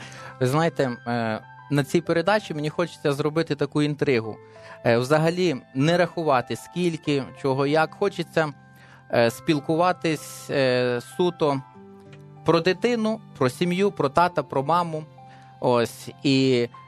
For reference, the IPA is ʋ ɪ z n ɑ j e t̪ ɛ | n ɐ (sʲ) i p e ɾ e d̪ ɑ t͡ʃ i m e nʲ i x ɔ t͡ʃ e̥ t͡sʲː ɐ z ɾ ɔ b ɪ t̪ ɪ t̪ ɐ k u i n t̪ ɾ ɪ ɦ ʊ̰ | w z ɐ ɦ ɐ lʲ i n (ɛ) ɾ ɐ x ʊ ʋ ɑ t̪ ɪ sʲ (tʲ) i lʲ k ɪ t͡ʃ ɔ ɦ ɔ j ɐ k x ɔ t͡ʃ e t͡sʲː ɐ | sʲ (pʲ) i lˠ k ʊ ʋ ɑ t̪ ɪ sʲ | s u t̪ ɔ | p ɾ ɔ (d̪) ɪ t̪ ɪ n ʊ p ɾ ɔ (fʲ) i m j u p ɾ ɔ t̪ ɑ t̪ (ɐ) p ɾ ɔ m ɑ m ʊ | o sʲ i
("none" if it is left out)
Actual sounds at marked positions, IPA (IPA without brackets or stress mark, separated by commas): t͡sʲ, ɛ, kʲ, pʲ, d̪, sʲ, ɐ